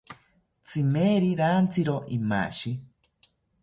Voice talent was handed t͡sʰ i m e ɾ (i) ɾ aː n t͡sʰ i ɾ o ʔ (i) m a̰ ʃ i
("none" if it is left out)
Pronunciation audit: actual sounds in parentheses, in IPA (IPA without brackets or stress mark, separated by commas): i, i